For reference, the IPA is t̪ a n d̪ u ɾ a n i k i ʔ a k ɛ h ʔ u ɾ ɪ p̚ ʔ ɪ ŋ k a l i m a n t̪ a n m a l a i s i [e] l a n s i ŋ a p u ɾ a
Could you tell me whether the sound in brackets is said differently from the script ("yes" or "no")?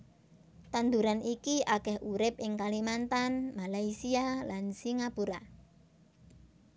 yes